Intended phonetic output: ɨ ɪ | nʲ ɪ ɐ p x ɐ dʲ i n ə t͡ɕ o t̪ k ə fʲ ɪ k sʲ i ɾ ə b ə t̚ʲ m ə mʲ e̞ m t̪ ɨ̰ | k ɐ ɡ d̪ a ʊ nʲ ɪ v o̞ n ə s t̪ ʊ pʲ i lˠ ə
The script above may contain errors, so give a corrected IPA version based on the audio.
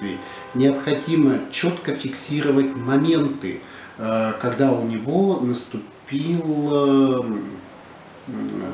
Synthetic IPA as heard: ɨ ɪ | nʲ ɪ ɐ p x ɐ dʲ i m ə t͡ɕ o t̪ k ə fʲ ɪ k sʲ i ɾ ə v ə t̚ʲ m ɐ mʲ e̞ n t̪ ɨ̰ | k ɐ ɡ d̪ a ʊ nʲ ɪ v o̞ n ə s t̪ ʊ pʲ i lˠ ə